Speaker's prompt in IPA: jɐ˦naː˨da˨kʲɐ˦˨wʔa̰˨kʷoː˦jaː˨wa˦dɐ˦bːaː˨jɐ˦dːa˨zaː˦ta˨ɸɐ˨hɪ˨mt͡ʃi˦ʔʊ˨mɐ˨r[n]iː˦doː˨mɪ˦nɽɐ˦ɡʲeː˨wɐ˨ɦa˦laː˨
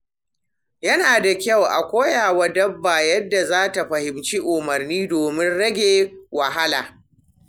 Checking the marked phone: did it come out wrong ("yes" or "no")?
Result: no